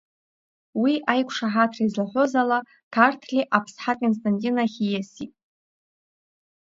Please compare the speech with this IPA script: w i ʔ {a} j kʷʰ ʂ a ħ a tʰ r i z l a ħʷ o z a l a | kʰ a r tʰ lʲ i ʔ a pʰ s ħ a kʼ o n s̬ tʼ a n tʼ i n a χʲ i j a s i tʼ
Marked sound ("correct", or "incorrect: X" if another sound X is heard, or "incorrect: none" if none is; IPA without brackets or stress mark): correct